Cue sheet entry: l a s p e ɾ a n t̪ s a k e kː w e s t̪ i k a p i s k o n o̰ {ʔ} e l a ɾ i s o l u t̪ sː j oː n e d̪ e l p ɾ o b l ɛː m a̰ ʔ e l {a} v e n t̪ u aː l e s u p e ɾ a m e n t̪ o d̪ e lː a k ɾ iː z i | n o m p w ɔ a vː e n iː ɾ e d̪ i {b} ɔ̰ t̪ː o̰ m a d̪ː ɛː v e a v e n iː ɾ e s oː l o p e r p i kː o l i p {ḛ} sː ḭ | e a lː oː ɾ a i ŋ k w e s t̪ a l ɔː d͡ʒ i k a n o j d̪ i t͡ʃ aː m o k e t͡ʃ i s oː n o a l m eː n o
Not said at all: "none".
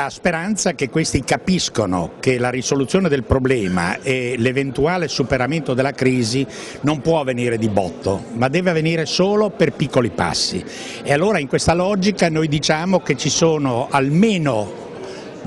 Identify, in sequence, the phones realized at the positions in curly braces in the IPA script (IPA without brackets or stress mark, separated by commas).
k, e, b, a̰